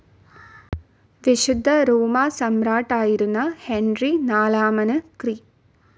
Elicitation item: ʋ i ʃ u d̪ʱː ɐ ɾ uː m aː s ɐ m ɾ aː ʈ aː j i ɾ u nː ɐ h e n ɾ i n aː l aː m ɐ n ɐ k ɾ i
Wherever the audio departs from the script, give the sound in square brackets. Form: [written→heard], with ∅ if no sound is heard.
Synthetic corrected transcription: ʋ i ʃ u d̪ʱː ɐ ɾ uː m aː s ɐ m ɾ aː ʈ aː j i ɾ u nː ɐ h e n ɾ i n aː l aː m ɐ n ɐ k ɾ i